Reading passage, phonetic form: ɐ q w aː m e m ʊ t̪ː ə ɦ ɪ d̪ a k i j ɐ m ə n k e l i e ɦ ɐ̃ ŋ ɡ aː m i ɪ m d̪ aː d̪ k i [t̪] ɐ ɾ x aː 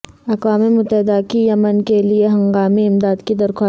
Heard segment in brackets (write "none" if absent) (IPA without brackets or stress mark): d̪